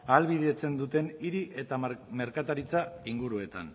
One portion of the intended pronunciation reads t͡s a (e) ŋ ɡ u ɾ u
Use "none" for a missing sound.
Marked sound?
i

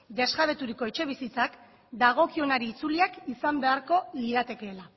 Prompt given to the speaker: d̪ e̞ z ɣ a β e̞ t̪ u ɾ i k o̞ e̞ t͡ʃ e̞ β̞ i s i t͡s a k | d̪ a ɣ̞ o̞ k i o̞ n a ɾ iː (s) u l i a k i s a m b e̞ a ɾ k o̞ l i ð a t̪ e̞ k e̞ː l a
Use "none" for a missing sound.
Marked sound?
t͡s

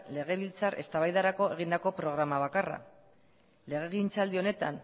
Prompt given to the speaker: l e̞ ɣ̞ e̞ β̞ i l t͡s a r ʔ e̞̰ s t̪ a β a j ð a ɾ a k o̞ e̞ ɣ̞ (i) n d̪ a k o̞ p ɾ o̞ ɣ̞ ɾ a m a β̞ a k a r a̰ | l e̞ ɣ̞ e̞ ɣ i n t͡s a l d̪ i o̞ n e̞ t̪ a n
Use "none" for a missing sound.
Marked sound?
i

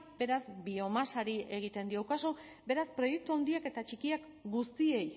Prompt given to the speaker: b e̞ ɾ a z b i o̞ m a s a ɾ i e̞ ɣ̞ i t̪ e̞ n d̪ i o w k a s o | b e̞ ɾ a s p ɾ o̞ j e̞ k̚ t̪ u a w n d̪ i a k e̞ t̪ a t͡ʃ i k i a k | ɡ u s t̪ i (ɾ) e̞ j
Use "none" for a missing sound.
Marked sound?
none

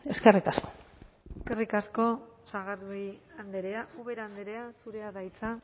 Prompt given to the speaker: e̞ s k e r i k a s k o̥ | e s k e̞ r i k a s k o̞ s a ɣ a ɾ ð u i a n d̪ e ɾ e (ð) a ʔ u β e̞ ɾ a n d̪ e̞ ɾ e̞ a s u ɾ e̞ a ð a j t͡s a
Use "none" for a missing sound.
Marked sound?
none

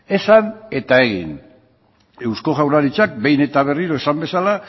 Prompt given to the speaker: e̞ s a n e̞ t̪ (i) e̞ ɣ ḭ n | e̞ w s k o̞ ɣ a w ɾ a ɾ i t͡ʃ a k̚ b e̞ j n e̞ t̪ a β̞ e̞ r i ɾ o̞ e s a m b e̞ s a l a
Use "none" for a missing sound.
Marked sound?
a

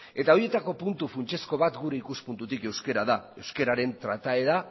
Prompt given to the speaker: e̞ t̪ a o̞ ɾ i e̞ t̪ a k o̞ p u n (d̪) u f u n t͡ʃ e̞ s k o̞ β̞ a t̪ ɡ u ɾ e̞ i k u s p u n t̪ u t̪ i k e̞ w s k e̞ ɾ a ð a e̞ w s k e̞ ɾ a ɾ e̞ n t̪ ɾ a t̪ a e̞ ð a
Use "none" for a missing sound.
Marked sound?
t̪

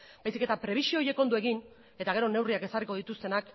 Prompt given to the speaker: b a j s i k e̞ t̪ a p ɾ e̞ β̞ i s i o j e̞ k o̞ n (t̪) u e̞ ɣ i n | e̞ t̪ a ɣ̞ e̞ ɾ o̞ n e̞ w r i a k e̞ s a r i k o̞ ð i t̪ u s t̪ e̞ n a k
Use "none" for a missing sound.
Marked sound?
d̪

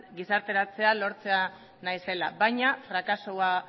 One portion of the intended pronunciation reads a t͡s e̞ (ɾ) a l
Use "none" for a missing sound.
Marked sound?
none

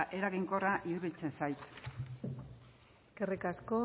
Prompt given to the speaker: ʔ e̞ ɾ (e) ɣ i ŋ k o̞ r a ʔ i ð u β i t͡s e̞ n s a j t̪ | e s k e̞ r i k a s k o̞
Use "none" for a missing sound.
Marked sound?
a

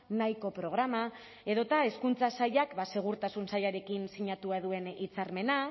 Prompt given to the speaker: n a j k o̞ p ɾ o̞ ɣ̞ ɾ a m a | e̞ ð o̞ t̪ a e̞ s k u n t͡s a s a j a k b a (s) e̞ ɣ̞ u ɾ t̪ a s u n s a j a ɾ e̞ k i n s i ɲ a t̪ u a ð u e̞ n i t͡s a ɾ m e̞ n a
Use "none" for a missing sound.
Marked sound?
s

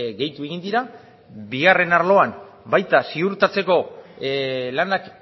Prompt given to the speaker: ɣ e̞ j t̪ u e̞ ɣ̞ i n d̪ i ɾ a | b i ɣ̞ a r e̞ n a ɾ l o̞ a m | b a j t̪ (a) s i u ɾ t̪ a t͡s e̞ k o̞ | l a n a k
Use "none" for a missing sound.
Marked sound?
a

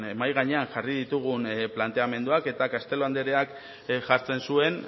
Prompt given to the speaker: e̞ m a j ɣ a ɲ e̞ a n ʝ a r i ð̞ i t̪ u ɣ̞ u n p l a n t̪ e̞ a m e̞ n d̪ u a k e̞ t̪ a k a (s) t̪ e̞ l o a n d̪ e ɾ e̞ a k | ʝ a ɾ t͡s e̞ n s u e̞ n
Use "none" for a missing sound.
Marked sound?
s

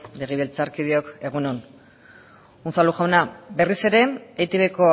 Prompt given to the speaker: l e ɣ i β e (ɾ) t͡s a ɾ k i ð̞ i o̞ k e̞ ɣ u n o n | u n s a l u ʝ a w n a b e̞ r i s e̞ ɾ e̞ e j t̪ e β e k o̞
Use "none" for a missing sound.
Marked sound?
l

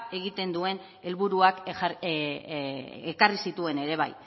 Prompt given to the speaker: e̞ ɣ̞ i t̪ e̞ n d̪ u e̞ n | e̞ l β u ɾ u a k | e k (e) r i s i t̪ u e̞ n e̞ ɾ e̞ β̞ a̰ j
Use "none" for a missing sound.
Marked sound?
a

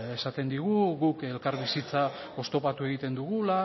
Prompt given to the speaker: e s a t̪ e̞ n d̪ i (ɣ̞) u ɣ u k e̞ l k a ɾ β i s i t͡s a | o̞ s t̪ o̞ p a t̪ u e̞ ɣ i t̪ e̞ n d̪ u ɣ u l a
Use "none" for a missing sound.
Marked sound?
ɣ̞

